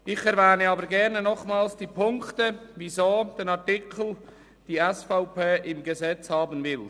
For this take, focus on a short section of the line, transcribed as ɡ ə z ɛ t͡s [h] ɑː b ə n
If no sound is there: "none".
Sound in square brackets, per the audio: h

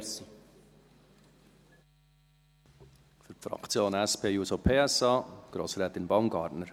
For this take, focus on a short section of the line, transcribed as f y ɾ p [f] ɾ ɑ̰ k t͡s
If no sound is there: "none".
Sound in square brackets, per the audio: f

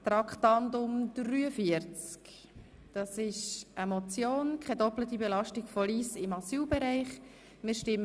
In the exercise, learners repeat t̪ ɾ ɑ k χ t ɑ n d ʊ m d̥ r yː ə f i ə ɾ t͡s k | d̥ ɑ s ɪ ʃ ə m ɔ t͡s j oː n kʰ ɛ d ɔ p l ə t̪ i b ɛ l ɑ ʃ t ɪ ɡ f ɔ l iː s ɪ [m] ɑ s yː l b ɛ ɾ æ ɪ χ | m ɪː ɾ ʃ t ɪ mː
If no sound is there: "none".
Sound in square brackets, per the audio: m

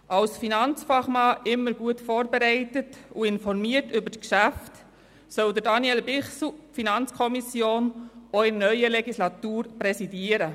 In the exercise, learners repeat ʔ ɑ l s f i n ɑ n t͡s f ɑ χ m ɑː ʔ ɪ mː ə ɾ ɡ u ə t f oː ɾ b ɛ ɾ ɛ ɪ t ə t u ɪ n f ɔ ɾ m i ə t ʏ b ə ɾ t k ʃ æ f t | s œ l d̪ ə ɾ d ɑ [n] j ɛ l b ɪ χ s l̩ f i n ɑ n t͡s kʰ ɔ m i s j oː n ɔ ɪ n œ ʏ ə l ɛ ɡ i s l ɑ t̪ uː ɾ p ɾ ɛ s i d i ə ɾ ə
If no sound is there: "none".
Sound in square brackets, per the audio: n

